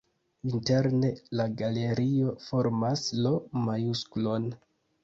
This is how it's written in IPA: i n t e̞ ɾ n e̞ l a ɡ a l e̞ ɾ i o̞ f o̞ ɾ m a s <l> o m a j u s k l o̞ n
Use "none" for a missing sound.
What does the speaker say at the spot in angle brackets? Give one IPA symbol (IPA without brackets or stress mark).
l